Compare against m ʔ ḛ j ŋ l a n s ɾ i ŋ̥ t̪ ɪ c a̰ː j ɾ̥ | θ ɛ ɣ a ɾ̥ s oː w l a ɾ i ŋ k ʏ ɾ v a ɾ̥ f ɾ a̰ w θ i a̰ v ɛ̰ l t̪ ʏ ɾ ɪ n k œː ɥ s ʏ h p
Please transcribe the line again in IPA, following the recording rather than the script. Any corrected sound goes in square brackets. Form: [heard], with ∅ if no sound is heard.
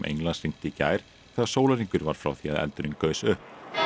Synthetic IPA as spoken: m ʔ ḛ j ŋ l a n s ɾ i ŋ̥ t̪ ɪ c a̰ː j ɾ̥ | θ ɛ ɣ a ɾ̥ s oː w l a ɾ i ŋ k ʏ ɾ v a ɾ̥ f ɾ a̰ w θ i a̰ [ð] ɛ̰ l t̪ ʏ ɾ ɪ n k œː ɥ s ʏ h p